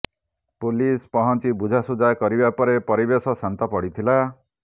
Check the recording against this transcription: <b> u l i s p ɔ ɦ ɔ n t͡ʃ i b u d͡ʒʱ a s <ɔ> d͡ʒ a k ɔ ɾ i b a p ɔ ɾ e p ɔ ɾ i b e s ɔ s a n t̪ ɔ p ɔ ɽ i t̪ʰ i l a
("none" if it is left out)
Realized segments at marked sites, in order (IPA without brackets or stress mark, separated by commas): p, u